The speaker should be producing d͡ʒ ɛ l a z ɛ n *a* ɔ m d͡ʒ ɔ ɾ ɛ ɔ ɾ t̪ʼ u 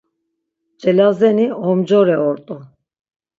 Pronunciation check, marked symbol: incorrect: i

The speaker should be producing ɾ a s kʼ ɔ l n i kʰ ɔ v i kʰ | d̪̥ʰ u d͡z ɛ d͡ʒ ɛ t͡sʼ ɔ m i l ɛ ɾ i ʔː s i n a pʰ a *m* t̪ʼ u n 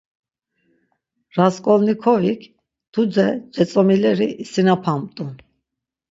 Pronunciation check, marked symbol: correct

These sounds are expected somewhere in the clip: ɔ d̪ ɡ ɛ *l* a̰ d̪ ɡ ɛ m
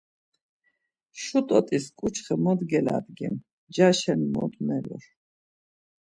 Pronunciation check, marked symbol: correct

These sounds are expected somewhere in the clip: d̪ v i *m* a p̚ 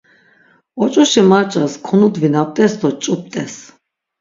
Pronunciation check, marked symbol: incorrect: n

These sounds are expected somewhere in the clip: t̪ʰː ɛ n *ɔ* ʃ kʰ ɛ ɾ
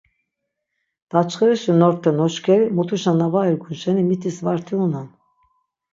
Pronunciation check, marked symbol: correct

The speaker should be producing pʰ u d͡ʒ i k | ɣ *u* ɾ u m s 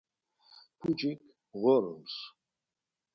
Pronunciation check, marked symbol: incorrect: ɔ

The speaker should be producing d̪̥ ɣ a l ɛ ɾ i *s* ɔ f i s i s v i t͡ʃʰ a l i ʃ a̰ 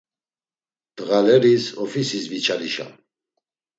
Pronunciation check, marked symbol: correct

